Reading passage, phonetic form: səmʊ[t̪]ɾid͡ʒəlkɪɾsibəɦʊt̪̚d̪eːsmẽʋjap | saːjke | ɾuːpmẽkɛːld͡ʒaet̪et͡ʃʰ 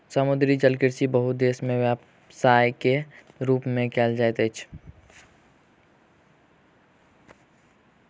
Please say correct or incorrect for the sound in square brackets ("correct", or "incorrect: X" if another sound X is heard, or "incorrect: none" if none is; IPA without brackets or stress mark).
incorrect: d̪